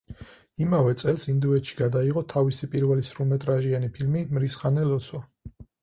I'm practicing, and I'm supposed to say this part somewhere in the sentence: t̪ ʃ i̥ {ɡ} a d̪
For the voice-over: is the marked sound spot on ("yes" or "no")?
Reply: yes